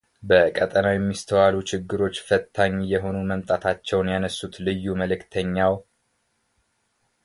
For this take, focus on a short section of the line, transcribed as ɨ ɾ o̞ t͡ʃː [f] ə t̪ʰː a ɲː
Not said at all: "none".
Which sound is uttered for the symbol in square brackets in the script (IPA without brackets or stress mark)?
f